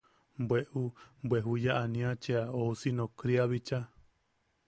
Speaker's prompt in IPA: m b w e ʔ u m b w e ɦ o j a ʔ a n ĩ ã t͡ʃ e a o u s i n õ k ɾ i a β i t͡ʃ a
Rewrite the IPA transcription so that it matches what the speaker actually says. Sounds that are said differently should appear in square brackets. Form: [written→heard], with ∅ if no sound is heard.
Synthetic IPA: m b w e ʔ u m b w e ɦ [o→u] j a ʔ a n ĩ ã t͡ʃ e a o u s i n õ k ɾ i a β i t͡ʃ a

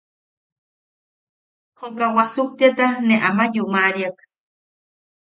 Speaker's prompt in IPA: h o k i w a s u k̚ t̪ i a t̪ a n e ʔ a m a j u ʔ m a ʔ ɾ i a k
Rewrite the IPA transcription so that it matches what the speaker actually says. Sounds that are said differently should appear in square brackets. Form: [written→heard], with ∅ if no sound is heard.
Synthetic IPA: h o k [i→a] w a s u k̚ t̪ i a t̪ a n e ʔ a m a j u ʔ m a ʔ ɾ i a k

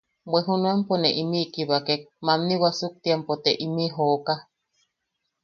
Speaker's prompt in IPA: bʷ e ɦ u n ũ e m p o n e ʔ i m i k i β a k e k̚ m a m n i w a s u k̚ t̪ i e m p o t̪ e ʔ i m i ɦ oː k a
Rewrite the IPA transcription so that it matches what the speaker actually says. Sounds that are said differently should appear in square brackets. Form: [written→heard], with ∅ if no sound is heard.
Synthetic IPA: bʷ e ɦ u n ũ e m p o n e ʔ i m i k i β a k e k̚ m a m n i w a s u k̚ t̪ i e m p o t̪ e ʔ i m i ɦ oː k a

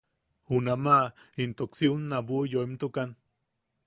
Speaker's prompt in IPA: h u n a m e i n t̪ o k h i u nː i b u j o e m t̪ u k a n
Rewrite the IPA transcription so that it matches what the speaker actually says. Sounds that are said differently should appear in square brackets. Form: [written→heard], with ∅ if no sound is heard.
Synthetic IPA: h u n a m [e→a] i n t̪ o k [h→s] i u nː [i→a] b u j o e m t̪ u k a n

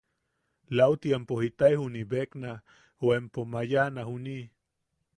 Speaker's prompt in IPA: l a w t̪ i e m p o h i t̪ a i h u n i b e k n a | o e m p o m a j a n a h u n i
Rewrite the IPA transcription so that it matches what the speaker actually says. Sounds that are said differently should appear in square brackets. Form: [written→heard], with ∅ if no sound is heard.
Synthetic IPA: l a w t̪ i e m p o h i t̪ a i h u n i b e k n a | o e m p o m a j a n a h u n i

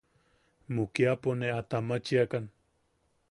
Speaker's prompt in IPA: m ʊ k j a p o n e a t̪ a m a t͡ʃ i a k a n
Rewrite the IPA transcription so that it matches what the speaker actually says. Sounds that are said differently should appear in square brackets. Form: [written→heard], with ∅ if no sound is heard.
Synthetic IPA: m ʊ k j a p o n e a t̪ a m a t͡ʃ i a k a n

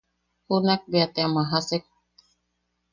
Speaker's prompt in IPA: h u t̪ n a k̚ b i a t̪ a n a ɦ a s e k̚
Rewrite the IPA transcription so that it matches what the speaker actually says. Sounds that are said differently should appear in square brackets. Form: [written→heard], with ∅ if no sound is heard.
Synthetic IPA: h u [t̪→∅] n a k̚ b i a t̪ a [n→m] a ɦ a s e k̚

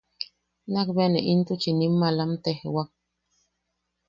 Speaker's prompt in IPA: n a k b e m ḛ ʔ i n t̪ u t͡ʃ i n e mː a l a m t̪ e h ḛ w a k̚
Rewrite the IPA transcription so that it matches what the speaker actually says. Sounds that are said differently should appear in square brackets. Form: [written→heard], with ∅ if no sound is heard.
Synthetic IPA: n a k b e [m→n] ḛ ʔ i n t̪ u t͡ʃ i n [e→i] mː a l a m t̪ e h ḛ w a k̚

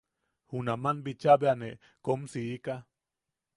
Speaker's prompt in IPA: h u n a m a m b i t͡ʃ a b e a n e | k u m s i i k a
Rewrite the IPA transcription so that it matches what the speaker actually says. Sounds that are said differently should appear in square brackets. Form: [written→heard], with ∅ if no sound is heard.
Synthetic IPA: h u n a m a [m→n] b i t͡ʃ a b e a n e | k [u→o] m s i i k a

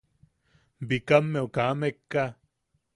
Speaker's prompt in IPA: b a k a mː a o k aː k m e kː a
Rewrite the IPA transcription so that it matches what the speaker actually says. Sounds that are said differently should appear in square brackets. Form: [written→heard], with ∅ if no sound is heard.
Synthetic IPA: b [a→i] k a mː [a→e] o k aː [k→∅] m e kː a

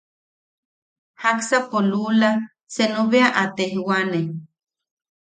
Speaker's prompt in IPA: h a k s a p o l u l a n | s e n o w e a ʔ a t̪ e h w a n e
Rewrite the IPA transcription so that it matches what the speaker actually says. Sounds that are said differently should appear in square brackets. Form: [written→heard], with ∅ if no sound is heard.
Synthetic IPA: h a k s a p o l u l a [n→∅] | s e n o [w→β] e a ʔ a t̪ e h w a n e

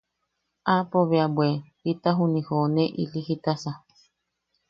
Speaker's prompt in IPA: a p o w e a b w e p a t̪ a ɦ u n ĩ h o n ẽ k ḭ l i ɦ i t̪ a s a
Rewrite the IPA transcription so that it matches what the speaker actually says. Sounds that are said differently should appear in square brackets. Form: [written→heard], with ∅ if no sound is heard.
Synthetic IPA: a p o [w→β] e a b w e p [a→i] t̪ a ɦ u n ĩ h o n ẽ [k→ʔ] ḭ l i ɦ i t̪ a s a

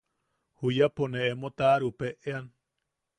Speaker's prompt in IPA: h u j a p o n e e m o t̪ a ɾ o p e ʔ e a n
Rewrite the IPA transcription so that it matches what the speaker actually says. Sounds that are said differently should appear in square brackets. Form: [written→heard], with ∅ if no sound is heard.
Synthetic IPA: h u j a p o n e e m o t̪ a ɾ [o→u] p e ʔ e a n

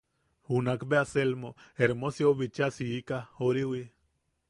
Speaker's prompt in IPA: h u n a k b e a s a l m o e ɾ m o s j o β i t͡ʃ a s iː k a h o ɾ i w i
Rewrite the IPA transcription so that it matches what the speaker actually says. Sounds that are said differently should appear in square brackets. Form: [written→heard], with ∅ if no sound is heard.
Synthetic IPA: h u n a k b e a s [a→e] l m o e ɾ m o s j o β i t͡ʃ a s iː k a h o ɾ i w i

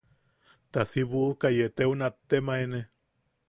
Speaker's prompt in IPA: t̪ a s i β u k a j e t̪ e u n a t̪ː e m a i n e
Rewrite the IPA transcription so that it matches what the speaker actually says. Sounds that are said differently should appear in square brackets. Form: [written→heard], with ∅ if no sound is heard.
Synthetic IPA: t̪ a s i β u k a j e t̪ e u n a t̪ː e m a [i→e] n e

